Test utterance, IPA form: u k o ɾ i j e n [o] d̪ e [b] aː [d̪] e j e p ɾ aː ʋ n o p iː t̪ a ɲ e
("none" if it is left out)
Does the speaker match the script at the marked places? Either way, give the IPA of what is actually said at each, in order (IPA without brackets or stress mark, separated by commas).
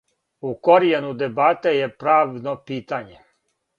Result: u, b, t̪